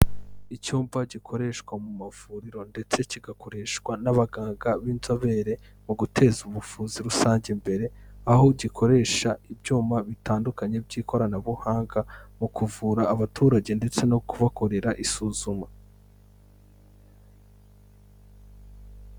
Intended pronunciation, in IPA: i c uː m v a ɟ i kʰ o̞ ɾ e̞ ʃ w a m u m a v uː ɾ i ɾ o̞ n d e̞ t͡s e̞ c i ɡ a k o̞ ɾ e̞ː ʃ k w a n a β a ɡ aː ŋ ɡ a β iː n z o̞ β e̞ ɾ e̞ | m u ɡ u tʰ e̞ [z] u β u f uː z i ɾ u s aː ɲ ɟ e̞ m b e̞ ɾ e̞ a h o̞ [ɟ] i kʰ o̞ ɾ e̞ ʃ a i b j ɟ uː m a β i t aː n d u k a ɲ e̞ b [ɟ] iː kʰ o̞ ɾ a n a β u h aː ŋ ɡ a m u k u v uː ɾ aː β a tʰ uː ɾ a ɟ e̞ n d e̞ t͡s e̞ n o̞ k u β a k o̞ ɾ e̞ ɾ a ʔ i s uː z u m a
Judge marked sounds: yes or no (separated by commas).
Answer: yes, yes, yes